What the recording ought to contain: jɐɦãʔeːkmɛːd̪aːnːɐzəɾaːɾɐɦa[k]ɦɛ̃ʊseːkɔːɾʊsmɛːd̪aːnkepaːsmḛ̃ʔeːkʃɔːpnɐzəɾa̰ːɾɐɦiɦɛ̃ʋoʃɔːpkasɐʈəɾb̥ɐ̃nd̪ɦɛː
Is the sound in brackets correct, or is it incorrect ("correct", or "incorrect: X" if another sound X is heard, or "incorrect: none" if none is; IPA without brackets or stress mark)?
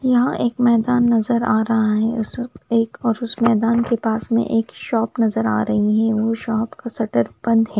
incorrect: none